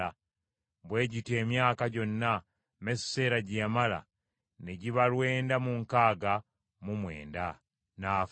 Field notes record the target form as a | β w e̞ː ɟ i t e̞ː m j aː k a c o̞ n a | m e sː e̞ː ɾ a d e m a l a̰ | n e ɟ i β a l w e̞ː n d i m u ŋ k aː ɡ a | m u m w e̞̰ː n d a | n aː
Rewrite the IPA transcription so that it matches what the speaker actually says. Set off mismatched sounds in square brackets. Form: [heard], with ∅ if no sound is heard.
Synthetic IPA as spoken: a | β w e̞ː ɟ i t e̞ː m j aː k a [ɟ] o̞ [nː] a | m e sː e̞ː ɾ a [ɟ] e m a l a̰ | n e ɟ i β a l w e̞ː n d [a] m u ŋ k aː ɡ a | m u m w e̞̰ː n d a | n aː